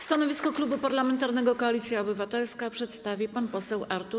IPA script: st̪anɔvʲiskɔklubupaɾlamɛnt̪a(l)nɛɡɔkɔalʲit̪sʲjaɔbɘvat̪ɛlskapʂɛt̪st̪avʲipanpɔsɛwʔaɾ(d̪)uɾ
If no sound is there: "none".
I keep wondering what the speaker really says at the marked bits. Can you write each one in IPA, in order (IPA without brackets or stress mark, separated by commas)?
ɾ, t̪